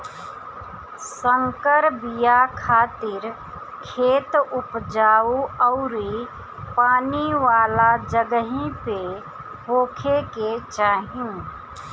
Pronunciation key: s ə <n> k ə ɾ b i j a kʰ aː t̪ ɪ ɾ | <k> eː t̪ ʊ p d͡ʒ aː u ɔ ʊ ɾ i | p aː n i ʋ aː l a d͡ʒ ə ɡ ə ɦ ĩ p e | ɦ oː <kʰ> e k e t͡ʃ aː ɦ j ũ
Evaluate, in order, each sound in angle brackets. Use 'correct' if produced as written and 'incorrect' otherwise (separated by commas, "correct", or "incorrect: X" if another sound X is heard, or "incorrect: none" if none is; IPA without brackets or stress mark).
incorrect: ŋ, incorrect: kʰ, correct